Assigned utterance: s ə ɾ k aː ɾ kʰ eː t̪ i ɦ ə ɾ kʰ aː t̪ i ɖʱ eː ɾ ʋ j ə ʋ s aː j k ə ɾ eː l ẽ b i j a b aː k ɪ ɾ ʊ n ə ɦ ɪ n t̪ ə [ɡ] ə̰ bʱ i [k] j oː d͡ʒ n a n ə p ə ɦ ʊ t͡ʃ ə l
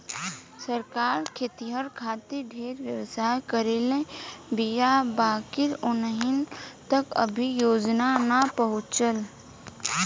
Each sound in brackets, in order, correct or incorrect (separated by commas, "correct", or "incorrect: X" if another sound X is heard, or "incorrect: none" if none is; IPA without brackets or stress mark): incorrect: k, incorrect: none